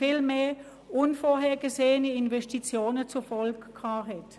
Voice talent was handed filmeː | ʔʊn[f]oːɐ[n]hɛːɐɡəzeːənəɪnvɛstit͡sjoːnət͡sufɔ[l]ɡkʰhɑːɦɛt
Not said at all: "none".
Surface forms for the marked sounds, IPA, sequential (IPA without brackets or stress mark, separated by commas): f, none, l